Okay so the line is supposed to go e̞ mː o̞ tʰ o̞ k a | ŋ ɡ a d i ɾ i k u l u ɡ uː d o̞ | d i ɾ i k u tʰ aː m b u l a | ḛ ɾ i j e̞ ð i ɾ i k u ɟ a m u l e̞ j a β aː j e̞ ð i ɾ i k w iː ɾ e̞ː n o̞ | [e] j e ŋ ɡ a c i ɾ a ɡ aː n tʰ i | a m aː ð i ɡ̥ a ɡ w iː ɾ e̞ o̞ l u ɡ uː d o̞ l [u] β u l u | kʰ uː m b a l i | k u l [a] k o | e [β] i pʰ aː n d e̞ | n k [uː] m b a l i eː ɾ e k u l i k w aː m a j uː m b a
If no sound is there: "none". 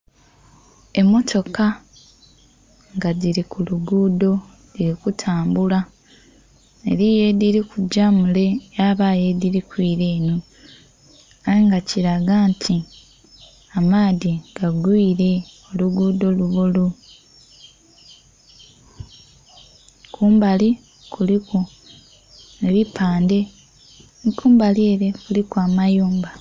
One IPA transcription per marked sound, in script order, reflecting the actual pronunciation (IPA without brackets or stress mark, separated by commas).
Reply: a, u, i, β, uː